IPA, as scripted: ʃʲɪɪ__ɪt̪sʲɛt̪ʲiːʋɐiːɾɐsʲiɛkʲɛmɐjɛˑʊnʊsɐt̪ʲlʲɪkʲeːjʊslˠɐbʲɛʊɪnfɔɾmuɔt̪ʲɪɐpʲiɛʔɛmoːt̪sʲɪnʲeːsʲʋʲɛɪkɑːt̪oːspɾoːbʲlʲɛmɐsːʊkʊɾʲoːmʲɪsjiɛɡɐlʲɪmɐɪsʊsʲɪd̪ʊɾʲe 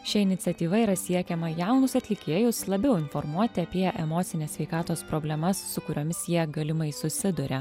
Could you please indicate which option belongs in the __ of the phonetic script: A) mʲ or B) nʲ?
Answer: B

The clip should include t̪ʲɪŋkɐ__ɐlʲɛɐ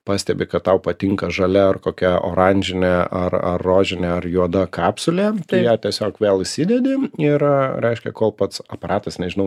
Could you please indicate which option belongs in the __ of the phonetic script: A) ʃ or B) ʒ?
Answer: B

